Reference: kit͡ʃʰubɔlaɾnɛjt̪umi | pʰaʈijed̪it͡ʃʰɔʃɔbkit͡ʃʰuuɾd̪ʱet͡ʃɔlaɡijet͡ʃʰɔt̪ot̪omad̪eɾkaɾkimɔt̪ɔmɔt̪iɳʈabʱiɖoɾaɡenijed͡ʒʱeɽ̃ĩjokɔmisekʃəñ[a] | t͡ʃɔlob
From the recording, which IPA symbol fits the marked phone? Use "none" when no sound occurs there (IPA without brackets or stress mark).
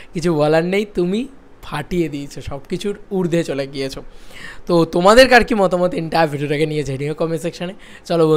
e